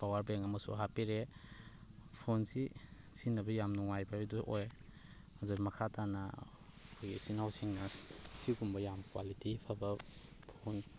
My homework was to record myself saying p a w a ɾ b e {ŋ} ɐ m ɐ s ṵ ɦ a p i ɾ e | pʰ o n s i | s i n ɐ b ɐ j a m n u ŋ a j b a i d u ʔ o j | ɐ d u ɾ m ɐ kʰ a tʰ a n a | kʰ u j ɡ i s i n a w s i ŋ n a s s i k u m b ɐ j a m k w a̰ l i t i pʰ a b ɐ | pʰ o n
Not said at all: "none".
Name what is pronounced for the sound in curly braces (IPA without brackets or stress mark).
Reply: ŋ